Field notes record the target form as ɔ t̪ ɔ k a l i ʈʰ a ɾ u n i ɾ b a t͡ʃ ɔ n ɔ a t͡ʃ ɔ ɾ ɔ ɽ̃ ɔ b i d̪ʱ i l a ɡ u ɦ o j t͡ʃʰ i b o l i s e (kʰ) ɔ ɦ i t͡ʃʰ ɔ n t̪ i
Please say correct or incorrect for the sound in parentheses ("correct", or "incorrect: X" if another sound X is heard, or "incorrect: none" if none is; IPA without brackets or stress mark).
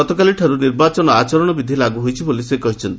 incorrect: k